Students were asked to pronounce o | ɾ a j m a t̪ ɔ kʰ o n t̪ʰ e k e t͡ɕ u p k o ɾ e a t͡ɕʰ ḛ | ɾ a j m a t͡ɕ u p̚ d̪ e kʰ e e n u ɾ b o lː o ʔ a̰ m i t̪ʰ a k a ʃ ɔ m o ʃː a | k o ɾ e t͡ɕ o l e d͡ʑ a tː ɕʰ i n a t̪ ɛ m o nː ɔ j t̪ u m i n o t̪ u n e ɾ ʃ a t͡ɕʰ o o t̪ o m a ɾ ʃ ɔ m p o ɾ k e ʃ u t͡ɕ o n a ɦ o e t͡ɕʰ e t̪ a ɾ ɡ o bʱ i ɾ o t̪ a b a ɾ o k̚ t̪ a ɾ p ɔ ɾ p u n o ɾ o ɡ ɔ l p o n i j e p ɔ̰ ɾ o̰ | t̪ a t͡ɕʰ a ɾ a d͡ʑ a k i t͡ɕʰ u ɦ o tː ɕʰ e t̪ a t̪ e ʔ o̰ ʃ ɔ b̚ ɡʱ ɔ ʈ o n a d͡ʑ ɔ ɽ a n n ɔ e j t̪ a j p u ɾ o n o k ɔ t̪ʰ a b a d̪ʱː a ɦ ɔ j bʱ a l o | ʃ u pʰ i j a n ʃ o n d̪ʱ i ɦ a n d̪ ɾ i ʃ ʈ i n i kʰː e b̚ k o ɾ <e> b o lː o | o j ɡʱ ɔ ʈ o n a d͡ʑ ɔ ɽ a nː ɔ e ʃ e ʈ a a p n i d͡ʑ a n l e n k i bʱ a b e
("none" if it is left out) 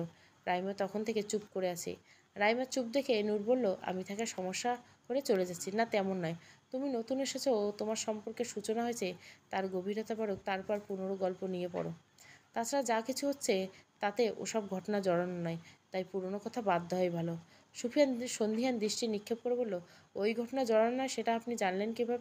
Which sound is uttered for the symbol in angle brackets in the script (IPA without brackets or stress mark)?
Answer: e